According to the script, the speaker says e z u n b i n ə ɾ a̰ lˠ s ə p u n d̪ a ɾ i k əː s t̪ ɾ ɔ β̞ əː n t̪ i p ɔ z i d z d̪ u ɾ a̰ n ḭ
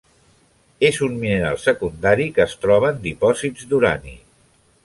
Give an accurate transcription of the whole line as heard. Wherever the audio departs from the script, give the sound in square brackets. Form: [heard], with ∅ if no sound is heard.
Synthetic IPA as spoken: e z u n [m] i n ə ɾ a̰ lˠ s ə [k] u n d̪ a ɾ i k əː s t̪ ɾ ɔ β̞ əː n [d̪] i p ɔ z i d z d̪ u ɾ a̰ n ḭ